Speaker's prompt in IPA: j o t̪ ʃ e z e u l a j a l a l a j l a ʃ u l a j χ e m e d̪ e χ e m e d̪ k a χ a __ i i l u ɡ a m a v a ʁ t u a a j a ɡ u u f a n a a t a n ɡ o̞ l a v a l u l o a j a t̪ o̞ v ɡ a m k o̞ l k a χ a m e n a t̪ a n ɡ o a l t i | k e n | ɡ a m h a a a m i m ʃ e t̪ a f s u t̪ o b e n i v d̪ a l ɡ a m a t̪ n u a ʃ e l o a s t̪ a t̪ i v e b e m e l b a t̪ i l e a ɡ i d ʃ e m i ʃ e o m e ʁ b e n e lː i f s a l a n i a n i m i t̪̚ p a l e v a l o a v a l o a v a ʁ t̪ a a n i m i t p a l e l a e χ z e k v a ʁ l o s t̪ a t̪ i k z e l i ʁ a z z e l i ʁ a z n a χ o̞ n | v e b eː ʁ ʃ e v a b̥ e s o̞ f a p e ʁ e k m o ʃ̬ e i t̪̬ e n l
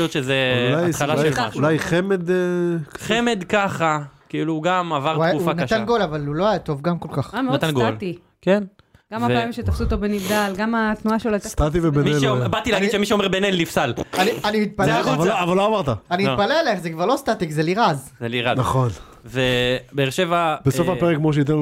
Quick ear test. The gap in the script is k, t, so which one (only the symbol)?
k